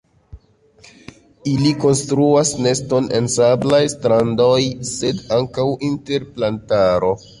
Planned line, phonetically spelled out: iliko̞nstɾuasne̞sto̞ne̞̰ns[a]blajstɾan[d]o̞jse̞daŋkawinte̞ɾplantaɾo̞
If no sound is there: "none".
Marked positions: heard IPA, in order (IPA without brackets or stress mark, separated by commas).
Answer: a, d